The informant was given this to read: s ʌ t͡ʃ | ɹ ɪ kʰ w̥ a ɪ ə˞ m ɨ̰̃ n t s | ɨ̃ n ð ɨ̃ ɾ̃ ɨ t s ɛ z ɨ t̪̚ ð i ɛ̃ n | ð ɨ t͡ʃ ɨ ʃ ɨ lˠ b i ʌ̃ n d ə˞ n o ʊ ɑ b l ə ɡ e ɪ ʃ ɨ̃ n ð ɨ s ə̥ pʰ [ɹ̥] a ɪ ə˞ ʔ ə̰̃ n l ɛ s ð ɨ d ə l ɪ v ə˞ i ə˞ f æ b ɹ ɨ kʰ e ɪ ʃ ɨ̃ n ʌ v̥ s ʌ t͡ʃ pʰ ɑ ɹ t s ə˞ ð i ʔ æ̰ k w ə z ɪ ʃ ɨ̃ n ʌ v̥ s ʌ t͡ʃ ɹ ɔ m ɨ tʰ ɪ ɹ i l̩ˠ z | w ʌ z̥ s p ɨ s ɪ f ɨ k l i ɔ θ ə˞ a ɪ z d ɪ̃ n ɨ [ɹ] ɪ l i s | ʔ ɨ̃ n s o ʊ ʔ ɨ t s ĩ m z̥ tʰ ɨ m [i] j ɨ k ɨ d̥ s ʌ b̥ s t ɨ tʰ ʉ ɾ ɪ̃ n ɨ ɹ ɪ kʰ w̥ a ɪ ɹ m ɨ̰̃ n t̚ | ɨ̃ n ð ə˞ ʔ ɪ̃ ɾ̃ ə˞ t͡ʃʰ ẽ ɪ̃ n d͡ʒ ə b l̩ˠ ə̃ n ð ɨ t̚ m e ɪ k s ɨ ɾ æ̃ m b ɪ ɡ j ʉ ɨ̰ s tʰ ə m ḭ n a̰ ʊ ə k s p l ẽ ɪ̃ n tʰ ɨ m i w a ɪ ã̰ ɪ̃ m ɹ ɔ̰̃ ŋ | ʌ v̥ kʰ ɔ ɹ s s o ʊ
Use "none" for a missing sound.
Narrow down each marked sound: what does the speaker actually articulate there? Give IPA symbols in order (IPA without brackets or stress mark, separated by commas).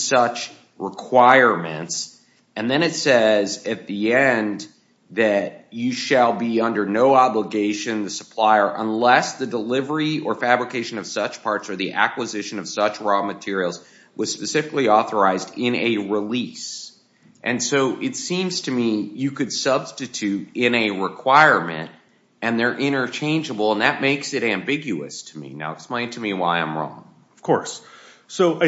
l̥, ɹ, i